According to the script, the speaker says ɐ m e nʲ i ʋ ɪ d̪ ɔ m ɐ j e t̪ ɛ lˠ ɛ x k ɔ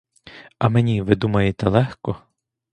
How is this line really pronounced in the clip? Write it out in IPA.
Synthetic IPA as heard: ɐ m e nʲ i ʋ ɪ d̪ u m ɐ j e t̪ ɛ lˠ ɛ x k ɔ